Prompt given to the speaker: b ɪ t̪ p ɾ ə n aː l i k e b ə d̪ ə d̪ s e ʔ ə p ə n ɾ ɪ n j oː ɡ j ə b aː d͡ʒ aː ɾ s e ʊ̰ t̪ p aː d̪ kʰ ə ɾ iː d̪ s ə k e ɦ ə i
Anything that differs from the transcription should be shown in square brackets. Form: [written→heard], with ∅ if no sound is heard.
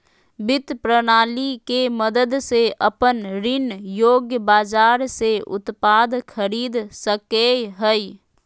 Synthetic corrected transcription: b ɪ t̪ p ɾ ə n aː l i k e [b→m] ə d̪ ə d̪ s e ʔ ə p ə n ɾ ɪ n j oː ɡ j ə b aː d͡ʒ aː ɾ s e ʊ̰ t̪ p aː d̪ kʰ ə ɾ iː d̪ s ə k e ɦ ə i

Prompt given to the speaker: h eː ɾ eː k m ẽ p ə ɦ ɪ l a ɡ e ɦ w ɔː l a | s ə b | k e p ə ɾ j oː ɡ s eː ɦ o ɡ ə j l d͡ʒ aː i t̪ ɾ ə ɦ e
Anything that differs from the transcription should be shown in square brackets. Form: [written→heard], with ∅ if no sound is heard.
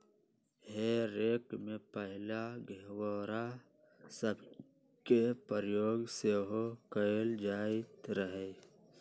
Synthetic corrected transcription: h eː ɾ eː k m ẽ p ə ɦ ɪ l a ɡ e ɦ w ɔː [l→ɾ] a | s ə b | k e p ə ɾ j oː ɡ s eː ɦ o [ɡ→k] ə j l d͡ʒ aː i t̪ ɾ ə ɦ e

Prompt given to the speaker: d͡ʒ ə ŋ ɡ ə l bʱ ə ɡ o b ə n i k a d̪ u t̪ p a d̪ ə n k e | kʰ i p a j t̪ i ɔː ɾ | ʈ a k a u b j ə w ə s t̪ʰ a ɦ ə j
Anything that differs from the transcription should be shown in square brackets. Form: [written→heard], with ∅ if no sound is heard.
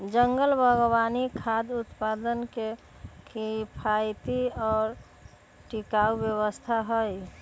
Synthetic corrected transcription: d͡ʒ ə ŋ ɡ ə l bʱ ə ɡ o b [ə→a] n i [k→kʰ] a d̪ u t̪ p a d̪ ə n k e | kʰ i [p→pʰ] a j t̪ i ɔː ɾ | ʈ [a→i] k a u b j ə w ə s t̪ʰ a ɦ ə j

